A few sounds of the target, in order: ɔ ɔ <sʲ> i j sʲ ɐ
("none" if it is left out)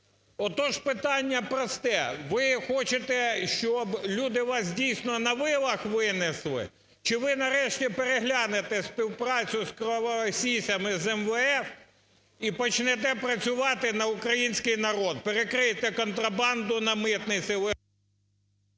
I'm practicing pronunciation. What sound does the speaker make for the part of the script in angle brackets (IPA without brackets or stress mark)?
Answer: sʲ